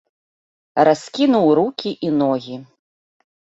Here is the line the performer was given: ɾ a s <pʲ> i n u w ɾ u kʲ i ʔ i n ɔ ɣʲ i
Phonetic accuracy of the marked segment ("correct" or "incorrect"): incorrect